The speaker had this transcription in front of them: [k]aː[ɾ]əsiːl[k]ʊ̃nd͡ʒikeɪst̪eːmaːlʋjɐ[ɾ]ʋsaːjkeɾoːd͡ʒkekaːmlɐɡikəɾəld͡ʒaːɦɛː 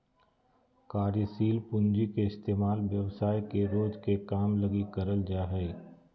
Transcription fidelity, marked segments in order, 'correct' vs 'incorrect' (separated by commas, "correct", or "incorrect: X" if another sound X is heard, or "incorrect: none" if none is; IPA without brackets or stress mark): correct, correct, incorrect: p, incorrect: none